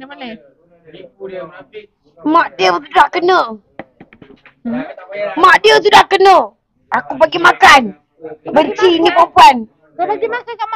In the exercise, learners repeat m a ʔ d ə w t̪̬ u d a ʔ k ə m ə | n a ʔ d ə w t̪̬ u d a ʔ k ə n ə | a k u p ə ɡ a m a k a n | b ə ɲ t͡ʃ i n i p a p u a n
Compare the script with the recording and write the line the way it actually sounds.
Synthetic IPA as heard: m a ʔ d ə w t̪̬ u d a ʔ k ə n ə | m a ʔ d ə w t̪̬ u d a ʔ k ə n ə | a k u p a ɡ i m a k a n | b ə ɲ t͡ʃ i n i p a p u a n